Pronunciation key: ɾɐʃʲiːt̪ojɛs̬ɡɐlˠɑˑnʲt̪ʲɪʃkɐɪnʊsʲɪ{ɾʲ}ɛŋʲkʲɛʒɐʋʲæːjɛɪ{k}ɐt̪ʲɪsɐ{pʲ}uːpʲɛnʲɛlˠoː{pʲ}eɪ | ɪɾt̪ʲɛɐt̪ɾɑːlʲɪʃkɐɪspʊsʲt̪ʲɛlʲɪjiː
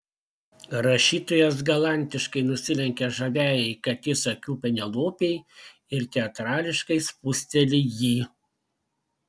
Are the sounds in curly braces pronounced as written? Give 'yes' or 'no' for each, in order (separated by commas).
no, yes, no, yes